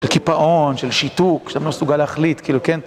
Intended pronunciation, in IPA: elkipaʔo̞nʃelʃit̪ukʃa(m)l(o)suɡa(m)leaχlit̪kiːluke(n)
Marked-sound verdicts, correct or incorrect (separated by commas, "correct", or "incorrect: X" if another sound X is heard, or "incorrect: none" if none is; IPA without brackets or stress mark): correct, correct, incorrect: none, correct